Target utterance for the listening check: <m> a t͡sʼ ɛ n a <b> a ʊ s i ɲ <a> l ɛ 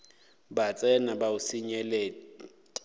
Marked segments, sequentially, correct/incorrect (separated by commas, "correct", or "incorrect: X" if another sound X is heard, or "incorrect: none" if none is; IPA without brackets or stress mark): incorrect: b, correct, incorrect: ɛ